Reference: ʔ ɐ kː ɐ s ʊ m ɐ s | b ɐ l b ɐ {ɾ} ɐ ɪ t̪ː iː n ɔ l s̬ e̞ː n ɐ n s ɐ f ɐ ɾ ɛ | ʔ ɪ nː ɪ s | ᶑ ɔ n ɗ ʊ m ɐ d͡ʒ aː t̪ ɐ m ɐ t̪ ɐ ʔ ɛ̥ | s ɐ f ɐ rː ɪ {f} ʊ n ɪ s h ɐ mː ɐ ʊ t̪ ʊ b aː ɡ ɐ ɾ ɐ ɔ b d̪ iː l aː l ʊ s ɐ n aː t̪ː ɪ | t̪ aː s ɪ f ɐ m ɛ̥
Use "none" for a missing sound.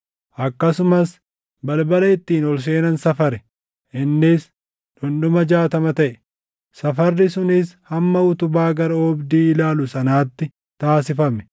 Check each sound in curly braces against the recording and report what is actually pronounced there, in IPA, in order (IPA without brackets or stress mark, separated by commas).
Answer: l, s